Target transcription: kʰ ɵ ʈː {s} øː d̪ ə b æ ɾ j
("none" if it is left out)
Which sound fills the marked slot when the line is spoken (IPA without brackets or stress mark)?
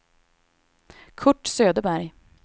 s